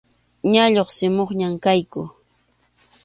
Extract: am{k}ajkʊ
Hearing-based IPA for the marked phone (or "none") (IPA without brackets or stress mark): k